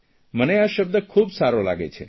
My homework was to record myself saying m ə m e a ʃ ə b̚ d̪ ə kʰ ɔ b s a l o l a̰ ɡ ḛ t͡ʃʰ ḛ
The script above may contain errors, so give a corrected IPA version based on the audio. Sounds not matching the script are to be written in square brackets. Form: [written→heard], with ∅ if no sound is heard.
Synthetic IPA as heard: m ə [m→n] e a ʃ ə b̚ d̪ ə kʰ [ɔ→u] b s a [l→ɾ] o l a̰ ɡ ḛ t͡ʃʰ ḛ